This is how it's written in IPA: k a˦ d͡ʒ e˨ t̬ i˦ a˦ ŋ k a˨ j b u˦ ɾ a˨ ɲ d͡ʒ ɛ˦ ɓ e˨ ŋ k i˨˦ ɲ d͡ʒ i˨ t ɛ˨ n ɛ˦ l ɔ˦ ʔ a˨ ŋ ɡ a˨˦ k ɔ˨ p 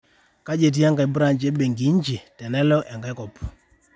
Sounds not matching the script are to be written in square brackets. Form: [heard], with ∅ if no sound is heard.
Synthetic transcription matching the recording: k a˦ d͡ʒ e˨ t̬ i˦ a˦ ŋ [ɡ] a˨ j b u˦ ɾ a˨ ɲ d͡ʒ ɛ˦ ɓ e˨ ŋ [ɡ] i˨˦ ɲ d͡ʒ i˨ t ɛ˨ n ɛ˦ l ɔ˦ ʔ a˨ ŋ ɡ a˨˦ k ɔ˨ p